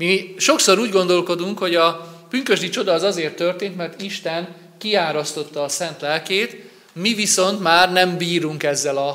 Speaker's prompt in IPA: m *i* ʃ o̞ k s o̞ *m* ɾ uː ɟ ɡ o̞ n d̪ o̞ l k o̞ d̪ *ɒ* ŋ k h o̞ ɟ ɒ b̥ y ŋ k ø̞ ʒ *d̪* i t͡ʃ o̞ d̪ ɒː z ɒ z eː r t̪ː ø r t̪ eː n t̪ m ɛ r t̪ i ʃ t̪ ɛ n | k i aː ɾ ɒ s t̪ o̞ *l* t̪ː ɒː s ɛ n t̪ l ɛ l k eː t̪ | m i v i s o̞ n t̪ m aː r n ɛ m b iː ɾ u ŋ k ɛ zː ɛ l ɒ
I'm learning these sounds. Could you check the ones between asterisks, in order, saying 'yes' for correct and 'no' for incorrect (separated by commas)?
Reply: yes, no, no, yes, no